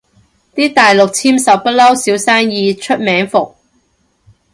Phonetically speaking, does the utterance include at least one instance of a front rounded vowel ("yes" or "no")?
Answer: no